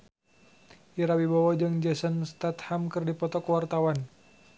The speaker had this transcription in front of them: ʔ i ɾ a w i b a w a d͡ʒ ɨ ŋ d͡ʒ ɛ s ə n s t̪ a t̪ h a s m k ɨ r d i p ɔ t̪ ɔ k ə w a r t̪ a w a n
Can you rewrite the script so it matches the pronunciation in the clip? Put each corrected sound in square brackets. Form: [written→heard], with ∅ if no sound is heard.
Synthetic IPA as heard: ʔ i ɾ a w i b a w a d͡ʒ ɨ ŋ d͡ʒ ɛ s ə n s t̪ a t̪ h a [s→∅] m k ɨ r d i p ɔ t̪ ɔ k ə w a r t̪ a w a n